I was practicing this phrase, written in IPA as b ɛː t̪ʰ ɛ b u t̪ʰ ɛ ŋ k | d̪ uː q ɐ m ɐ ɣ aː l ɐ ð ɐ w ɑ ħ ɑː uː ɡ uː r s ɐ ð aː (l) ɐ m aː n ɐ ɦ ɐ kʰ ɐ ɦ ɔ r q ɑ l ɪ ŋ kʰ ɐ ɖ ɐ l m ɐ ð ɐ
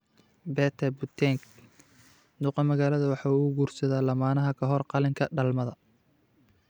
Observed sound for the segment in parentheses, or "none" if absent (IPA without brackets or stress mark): l